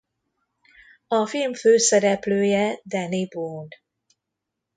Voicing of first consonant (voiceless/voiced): voiceless